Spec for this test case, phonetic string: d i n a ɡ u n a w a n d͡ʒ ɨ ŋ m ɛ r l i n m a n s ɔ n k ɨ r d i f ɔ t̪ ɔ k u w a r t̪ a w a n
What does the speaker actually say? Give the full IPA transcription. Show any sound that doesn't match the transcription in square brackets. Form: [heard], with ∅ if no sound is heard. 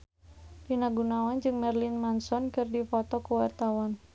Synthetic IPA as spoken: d i n a ɡ u n a w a n d͡ʒ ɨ ŋ m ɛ r l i n m a n s ɔ n k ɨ r d i f ɔ t̪ ɔ k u w a r t̪ a w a n